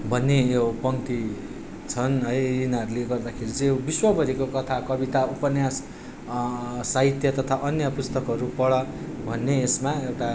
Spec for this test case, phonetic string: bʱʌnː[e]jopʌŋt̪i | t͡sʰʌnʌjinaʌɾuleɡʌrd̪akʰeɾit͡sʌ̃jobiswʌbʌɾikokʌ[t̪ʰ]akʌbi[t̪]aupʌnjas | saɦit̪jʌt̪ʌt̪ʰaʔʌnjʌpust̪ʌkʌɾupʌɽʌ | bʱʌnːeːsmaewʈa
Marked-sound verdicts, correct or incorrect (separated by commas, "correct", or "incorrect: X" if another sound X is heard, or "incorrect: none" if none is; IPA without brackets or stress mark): correct, correct, correct